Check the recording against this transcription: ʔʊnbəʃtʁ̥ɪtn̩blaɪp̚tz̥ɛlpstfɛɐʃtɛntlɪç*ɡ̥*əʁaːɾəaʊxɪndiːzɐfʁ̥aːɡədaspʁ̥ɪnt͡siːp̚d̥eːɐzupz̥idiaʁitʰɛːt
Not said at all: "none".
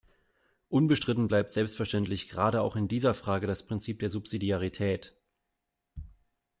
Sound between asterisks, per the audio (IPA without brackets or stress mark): ɡ̥